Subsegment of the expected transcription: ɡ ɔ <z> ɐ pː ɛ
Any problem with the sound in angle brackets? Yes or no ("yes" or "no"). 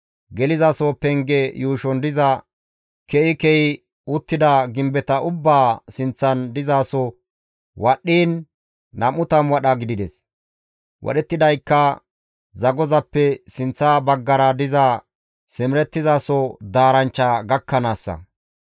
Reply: no